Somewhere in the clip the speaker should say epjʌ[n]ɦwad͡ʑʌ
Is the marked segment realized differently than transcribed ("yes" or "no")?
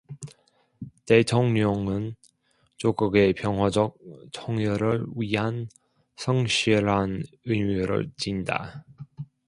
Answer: yes